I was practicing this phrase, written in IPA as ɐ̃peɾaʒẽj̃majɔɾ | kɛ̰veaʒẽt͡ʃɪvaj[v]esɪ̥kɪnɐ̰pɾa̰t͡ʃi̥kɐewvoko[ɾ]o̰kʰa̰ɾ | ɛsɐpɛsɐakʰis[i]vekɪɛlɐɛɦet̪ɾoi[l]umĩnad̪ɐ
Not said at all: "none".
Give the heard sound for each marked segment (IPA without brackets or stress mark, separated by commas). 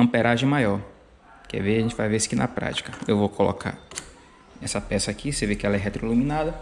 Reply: v, l, e, l